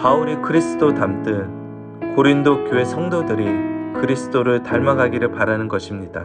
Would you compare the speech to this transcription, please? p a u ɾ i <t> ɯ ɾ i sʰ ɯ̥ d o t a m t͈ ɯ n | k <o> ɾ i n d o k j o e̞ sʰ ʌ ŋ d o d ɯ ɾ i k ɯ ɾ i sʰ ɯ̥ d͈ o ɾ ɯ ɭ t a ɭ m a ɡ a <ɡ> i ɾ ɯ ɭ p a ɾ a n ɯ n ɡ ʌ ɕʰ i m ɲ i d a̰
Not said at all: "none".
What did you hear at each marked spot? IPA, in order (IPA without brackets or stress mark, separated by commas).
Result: k, o, ɡ